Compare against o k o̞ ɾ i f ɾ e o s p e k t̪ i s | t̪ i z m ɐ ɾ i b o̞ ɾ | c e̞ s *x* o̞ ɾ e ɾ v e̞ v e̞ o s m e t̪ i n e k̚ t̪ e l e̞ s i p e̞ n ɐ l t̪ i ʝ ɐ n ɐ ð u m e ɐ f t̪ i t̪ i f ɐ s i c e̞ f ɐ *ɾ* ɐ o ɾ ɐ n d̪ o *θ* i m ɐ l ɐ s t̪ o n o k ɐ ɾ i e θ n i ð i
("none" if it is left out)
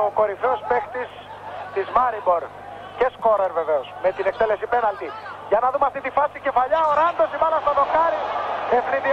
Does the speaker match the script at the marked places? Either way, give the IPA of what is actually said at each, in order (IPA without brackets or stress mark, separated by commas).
k, ʎ, s